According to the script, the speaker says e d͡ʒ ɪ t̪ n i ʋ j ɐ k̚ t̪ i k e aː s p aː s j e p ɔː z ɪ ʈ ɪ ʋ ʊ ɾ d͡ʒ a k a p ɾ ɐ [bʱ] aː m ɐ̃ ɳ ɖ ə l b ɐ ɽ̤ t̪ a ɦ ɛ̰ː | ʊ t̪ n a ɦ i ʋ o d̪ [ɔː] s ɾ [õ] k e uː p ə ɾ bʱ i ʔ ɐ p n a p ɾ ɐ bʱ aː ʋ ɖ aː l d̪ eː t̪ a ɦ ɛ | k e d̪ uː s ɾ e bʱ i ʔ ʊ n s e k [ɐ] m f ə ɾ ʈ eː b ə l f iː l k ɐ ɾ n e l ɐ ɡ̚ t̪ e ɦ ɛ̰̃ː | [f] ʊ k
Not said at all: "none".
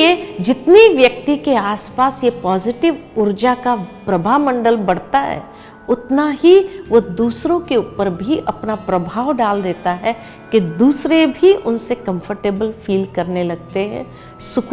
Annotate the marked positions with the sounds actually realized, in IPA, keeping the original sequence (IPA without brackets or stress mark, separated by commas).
bʱ, uː, õ, ɐ̃, s